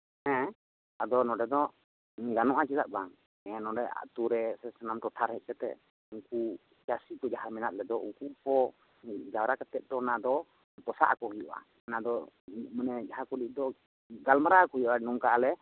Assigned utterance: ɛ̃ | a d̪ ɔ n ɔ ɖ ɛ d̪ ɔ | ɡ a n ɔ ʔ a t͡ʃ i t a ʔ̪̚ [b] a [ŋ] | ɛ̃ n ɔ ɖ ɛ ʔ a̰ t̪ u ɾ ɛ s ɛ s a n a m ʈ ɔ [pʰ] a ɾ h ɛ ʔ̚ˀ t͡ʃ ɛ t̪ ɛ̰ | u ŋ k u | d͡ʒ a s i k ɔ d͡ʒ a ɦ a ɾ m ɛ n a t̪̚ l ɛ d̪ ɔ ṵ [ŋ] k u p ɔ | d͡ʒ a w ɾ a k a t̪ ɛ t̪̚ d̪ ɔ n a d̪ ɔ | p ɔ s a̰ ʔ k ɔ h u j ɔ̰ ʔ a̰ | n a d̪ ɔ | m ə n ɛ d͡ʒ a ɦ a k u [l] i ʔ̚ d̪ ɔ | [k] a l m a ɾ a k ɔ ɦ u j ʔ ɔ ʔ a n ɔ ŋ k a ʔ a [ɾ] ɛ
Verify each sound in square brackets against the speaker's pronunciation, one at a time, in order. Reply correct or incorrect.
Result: correct, correct, incorrect, correct, correct, incorrect, incorrect

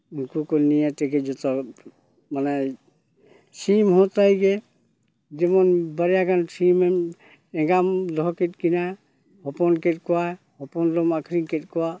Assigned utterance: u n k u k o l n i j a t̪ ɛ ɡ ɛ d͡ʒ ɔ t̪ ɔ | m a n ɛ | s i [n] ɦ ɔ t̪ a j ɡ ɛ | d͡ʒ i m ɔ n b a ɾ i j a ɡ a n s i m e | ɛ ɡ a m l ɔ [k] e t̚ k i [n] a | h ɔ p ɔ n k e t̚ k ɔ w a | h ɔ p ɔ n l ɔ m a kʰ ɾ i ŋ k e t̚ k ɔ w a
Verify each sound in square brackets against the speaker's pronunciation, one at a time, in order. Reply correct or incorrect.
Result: incorrect, correct, correct

